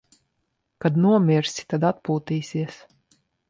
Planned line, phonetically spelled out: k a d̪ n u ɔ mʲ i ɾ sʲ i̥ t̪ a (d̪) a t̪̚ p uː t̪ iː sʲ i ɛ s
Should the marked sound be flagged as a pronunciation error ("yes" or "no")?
no